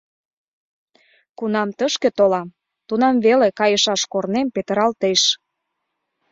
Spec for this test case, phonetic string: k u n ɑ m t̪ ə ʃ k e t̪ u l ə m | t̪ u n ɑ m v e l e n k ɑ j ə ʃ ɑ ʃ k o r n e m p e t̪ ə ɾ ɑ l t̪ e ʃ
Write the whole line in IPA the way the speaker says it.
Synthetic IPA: k u n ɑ m t̪ ə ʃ k e t̪ o l ɑ m | t̪ u n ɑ m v e l e k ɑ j ə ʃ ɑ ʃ k o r n e m p e t̪ ə ɾ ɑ l t̪ e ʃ